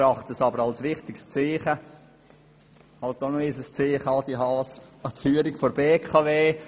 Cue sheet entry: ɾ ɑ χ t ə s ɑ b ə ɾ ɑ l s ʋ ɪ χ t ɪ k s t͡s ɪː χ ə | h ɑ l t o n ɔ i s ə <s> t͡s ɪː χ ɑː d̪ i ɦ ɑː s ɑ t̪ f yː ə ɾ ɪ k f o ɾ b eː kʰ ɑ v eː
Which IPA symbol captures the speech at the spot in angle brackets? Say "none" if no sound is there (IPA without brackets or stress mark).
s